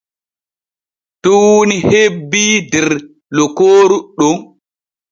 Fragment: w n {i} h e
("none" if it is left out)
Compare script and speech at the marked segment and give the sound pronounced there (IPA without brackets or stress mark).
i